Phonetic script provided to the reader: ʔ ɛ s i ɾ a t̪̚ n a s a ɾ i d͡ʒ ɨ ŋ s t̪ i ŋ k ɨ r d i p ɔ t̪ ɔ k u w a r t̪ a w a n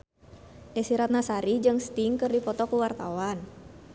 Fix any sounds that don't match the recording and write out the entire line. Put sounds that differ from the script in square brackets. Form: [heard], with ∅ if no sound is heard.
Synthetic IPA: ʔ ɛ s i ɾ a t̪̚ n a s a ɾ i d͡ʒ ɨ ŋ s t̪ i ŋ k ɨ r d i p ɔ t̪ ɔ k u w a r t̪ a w a n